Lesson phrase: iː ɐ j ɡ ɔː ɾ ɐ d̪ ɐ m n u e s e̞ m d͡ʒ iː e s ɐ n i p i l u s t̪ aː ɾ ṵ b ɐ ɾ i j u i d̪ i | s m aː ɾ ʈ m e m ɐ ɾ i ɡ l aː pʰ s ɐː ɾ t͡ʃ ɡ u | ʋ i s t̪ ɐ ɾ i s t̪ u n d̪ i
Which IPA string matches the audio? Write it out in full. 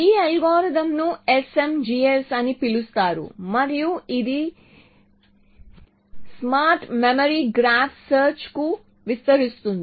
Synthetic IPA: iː ɐ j ɡ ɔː ɾ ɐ d̪ ɐ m n u e s e̞ m d͡ʒ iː e s ɐ n i p i l u s t̪ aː ɾ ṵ m ɐ ɾ i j u i d̪ i | s m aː ɾ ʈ m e m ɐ ɾ i ɡ ɾ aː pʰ s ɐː ɾ t͡ʃ k u | ʋ i s t̪ ɐ ɾ i s t̪ u n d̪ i